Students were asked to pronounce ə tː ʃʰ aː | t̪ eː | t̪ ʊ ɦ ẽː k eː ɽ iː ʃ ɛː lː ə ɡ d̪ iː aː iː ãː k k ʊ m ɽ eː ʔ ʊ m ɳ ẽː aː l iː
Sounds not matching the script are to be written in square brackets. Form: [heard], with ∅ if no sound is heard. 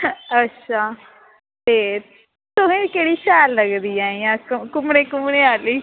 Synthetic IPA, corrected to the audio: ə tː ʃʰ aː | t̪ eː | t̪ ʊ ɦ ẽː k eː ɽ iː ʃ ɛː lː ə ɡ d̪ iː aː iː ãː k k ʊ m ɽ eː [k] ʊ m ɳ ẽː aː l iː